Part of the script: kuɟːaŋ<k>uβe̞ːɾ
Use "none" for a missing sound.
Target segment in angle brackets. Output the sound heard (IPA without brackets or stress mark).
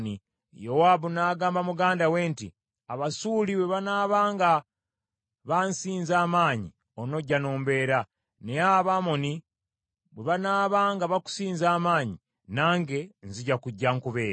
k